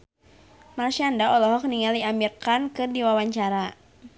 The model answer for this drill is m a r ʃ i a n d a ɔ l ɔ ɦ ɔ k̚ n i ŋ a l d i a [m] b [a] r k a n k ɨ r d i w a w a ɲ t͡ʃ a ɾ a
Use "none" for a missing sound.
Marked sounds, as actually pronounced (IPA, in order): m, i

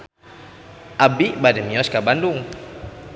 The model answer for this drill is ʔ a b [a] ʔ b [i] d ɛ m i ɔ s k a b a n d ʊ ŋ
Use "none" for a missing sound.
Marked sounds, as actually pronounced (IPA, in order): i, a

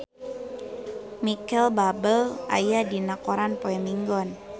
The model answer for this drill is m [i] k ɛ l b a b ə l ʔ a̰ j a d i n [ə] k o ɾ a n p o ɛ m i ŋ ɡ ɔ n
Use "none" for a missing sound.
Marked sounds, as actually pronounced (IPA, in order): i, a

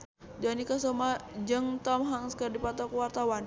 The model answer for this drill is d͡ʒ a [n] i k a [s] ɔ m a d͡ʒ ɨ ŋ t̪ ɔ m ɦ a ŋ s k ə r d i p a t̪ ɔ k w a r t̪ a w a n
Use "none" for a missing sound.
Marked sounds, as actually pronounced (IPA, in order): n, s

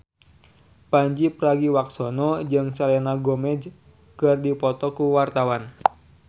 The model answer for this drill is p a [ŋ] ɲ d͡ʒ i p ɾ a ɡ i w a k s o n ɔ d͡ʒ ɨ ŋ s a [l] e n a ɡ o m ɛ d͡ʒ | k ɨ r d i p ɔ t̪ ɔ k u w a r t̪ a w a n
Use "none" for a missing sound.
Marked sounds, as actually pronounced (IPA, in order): none, l

